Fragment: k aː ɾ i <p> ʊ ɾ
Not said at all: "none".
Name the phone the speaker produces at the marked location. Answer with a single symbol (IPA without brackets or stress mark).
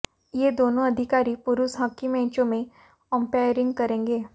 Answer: p